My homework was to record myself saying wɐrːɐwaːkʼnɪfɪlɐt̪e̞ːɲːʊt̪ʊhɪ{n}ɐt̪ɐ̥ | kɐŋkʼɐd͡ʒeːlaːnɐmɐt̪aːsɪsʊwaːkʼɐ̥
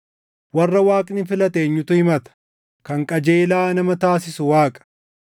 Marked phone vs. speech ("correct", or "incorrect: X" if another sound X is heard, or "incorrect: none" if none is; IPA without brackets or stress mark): incorrect: m